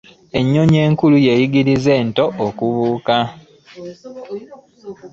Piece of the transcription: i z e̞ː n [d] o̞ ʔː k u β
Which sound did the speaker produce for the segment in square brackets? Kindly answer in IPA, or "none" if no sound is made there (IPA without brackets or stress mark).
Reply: t